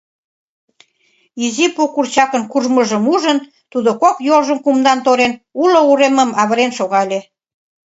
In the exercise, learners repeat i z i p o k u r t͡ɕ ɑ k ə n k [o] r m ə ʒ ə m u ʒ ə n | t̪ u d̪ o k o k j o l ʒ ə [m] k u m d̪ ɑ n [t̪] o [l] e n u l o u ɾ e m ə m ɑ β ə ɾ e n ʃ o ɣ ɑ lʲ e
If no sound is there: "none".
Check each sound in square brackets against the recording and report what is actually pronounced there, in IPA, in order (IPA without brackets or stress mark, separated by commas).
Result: u, m, t̪, ɾ